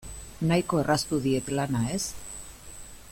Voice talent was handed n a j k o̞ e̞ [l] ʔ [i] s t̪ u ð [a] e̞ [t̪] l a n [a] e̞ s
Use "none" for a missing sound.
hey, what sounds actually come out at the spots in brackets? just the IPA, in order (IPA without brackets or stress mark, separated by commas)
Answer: r, a, i, t̪, a